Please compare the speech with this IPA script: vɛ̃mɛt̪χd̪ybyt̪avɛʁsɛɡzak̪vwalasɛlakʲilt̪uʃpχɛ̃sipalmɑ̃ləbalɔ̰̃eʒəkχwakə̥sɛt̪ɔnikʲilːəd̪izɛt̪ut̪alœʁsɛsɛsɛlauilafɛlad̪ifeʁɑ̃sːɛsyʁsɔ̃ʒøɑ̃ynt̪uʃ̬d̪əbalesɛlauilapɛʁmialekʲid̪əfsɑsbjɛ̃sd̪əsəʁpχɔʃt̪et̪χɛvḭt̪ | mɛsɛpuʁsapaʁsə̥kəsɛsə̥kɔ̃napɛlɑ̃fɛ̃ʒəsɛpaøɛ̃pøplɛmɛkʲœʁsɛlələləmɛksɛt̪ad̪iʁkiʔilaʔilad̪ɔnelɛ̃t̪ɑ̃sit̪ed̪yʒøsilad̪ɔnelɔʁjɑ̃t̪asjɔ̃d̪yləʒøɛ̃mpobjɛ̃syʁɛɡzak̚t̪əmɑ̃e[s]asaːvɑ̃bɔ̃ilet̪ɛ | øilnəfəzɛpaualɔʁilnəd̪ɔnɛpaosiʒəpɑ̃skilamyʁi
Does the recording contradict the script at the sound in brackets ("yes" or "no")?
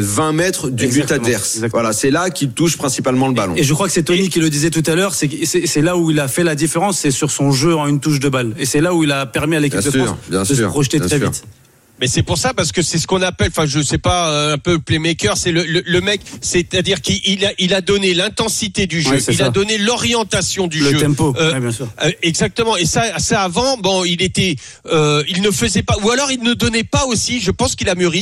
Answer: no